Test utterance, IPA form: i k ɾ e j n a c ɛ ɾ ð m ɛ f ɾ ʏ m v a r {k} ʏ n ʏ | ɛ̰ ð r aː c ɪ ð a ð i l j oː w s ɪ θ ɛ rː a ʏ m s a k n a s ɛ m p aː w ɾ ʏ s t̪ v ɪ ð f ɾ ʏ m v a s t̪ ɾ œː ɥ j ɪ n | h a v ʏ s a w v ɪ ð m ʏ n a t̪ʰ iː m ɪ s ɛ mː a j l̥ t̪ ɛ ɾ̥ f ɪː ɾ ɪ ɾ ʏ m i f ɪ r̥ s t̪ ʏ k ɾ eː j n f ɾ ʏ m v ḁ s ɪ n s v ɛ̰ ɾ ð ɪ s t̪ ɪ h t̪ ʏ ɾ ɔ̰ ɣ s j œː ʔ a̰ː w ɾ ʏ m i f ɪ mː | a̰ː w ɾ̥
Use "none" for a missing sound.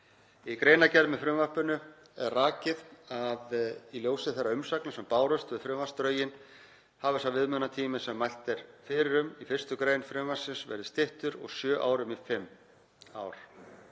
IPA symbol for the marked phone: p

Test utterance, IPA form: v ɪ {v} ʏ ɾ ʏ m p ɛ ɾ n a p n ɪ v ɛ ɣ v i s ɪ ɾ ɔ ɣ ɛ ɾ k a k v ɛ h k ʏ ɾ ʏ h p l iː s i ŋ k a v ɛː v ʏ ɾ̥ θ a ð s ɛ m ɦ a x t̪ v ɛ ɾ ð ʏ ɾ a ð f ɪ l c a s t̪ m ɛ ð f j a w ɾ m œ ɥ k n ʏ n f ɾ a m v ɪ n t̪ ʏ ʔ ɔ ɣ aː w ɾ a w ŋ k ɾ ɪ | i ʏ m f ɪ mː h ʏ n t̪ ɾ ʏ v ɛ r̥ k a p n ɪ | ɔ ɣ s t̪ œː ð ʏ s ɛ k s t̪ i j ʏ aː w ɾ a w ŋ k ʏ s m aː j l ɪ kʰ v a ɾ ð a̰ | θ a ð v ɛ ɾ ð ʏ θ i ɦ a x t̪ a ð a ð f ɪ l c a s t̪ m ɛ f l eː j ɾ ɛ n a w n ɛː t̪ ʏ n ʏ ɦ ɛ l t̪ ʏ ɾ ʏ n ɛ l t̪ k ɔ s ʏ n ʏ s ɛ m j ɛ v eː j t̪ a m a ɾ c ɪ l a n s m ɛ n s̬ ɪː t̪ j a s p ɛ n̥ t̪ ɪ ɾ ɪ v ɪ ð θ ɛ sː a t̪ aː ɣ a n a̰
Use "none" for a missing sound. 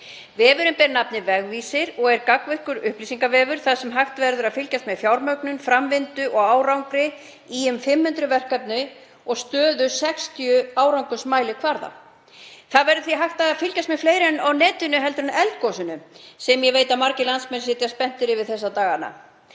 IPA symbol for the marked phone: v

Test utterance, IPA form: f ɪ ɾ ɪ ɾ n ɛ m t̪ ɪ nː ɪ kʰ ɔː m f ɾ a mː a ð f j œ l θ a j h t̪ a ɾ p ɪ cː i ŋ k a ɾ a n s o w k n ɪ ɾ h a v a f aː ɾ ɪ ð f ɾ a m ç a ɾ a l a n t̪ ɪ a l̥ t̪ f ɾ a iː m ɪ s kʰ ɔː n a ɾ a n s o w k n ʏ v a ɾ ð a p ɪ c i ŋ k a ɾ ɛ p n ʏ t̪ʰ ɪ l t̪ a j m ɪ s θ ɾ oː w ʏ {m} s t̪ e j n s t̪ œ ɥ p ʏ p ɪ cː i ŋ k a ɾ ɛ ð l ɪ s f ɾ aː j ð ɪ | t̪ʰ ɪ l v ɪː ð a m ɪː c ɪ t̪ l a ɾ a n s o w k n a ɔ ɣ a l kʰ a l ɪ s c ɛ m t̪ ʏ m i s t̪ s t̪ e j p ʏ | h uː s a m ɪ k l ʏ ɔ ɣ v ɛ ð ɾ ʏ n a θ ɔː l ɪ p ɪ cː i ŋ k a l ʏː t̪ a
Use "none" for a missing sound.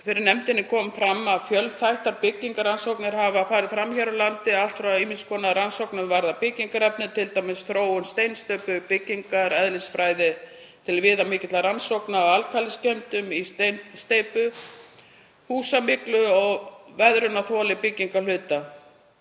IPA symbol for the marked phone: n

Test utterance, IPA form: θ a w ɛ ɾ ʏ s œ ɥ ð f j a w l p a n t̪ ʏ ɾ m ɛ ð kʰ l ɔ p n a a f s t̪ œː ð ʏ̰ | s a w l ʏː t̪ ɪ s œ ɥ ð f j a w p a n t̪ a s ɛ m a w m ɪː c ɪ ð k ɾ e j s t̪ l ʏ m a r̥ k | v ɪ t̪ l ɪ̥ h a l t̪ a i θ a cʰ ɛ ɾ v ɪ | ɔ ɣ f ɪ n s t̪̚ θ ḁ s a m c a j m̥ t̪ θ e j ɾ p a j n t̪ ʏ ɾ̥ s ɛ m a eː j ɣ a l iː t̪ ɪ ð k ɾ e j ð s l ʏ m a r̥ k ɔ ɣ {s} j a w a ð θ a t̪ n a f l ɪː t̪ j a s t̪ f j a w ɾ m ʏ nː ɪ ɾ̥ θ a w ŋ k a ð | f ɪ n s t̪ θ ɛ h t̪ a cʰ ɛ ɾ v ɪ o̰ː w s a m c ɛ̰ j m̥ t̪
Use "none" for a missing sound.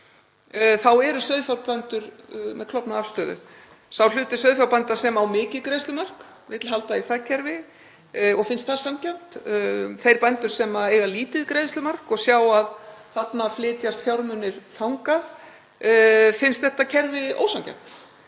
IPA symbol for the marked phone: s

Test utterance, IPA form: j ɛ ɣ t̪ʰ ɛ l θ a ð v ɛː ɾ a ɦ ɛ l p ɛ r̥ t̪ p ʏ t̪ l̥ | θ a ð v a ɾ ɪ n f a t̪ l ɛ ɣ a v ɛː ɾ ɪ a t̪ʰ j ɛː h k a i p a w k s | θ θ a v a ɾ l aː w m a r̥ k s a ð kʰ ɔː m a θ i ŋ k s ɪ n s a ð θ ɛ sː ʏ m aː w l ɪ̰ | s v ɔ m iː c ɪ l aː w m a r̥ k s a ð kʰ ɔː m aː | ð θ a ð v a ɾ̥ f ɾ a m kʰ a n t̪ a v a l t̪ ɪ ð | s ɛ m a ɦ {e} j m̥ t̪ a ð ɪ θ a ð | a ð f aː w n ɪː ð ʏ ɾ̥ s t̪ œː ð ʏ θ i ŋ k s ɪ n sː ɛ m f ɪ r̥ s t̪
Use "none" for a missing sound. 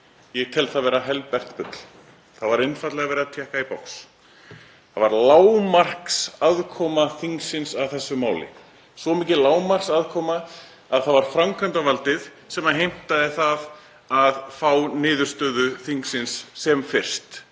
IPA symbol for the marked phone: e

